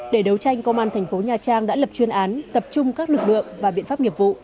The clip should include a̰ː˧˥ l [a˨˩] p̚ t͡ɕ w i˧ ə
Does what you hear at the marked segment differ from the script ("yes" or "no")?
yes